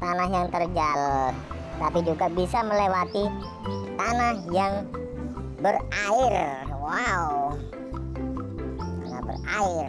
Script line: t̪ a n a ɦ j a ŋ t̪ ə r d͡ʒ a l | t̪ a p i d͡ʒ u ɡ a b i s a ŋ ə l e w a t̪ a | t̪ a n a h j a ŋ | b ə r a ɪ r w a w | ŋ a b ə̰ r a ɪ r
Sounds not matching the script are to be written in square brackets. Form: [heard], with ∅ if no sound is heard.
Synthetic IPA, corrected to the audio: t̪ a n a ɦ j a ŋ t̪ ə r d͡ʒ a l | t̪ a p i d͡ʒ u ɡ a b i s a [m] ə l e w a t̪ [i] | t̪ a n a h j a ŋ | b ə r a ɪ r w a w | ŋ a b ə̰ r a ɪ r